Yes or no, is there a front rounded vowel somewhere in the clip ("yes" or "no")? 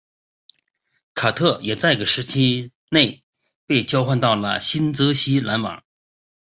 no